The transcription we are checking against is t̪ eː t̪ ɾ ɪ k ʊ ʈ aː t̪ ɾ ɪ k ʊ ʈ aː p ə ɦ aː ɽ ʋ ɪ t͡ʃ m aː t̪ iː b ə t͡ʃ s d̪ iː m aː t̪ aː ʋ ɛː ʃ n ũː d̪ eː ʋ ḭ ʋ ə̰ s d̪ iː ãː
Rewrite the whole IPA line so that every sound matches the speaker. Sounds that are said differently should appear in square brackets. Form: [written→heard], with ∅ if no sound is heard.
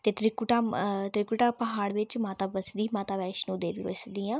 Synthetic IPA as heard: t̪ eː t̪ ɾ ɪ k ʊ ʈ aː t̪ ɾ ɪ k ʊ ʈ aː p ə ɦ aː ɽ ʋ ɪ t͡ʃ m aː t̪ [iː→aː] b ə [t͡ʃ→∅] s d̪ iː m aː t̪ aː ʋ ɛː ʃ n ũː d̪ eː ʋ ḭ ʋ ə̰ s d̪ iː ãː